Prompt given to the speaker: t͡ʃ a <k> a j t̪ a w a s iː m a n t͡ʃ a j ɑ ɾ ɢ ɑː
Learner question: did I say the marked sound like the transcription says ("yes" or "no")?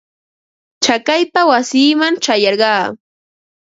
yes